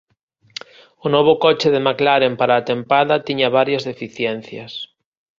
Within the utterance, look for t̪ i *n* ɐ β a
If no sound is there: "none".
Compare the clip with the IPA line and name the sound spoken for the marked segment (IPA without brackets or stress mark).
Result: ɲ